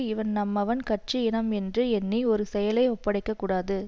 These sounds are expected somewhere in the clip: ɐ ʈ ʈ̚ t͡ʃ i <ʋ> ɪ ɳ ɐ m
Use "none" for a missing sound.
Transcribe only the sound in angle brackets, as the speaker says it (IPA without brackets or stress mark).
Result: none